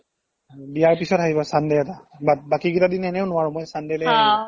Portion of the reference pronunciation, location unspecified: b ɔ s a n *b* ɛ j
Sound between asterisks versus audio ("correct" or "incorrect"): incorrect